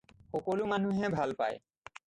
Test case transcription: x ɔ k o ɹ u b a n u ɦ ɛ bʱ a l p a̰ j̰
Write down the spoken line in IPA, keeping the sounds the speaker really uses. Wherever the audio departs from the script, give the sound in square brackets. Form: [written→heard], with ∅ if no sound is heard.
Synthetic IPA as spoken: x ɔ k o [ɹ→l] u [b→m] a n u ɦ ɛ bʱ a l p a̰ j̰